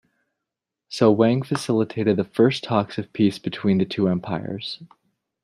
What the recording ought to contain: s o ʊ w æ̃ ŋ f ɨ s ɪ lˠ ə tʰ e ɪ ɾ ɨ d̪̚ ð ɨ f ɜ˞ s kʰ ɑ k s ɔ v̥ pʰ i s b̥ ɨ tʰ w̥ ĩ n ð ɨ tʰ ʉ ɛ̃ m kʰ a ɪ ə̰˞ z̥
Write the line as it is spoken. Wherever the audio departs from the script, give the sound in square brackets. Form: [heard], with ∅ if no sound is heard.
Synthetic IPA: s o ʊ w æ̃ ŋ f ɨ s ɪ lˠ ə tʰ e ɪ ɾ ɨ d̪̚ ð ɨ f ɜ˞ s [tʰ] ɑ k s [ʌ] v̥ pʰ i s b̥ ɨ tʰ w̥ ĩ n ð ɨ tʰ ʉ ɛ̃ m [pʰ] a ɪ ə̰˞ z̥